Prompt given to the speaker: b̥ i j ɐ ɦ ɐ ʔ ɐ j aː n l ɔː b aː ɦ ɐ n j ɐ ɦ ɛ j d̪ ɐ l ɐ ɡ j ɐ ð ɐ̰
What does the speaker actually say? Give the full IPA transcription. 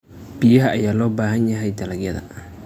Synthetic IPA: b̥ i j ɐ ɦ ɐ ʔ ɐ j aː l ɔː b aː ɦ ɐ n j ɐ ɦ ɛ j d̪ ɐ l ɐ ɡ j ɐ ð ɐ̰